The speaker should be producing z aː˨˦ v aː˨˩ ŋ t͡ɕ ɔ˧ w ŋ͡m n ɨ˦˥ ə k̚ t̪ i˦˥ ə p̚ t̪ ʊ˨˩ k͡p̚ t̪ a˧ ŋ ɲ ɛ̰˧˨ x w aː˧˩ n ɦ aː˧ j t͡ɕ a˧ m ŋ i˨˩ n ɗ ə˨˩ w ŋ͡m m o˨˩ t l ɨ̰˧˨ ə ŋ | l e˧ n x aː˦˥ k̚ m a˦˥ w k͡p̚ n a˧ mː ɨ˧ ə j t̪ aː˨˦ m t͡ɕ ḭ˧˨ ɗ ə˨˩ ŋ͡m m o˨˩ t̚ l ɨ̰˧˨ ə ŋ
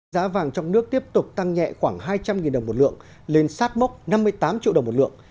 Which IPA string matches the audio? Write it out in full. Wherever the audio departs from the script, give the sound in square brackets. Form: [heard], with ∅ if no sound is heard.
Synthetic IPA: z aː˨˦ v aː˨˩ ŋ t͡ɕ ɔ˧ w ŋ͡m n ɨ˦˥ ə k̚ t̪ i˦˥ ə p̚ t̪ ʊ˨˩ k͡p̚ t̪ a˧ ŋ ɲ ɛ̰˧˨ x w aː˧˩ [ŋ] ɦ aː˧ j t͡ɕ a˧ m ŋ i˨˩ n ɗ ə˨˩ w ŋ͡m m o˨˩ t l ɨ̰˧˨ ə ŋ | l e˧ n [s] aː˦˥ [t̚] m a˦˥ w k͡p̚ n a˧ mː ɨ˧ ə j t̪ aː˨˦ m t͡ɕ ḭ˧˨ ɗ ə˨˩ ŋ͡m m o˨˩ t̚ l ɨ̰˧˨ ə ŋ